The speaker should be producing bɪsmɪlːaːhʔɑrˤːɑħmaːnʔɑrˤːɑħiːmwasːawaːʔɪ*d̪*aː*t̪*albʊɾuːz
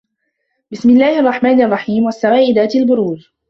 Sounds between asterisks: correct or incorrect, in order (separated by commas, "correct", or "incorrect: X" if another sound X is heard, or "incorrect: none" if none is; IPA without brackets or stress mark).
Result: correct, correct